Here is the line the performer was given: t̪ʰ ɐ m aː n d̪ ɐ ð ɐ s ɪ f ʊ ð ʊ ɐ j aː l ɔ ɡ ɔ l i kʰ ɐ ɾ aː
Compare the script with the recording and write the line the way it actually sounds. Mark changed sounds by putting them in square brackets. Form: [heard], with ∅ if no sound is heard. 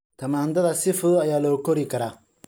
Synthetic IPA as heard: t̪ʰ ɐ m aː n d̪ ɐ ð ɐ s ɪ f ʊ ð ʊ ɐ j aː l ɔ [k] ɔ [ɾ] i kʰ ɐ ɾ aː